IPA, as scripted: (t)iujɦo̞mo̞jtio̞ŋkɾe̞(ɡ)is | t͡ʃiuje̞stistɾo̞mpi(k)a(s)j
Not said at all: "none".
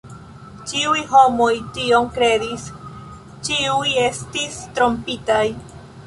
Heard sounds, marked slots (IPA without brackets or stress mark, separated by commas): t͡ʃ, d, t, none